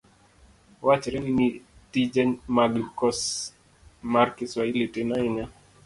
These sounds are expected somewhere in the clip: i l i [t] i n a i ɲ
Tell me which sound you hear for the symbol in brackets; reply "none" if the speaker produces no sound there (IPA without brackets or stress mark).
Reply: t